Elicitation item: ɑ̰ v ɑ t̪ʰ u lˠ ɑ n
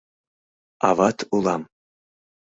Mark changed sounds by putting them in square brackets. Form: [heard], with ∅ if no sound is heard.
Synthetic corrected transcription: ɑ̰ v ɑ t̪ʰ u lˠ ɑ [m]